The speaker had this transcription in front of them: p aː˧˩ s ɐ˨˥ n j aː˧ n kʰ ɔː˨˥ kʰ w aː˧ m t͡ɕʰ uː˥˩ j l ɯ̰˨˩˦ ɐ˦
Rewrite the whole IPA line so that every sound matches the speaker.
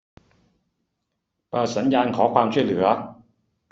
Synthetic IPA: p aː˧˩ s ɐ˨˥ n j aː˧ n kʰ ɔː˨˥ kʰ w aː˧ m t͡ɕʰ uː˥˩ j l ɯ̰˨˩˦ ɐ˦